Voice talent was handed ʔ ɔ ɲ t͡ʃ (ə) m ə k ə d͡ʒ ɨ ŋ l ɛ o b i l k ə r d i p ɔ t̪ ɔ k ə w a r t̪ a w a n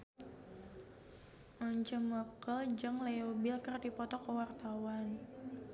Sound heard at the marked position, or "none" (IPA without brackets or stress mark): ə